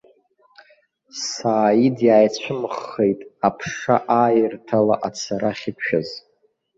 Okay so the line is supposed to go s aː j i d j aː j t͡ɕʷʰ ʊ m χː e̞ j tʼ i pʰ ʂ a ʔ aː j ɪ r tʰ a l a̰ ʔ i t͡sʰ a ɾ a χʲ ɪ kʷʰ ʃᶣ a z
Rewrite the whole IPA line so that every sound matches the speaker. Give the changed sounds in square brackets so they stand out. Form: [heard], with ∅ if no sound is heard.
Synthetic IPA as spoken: s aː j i d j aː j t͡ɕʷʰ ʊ m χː e̞ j tʼ [a] pʰ ʂ a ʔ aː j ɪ r tʰ a l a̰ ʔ [a] t͡sʰ a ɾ a χʲ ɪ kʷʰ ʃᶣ a z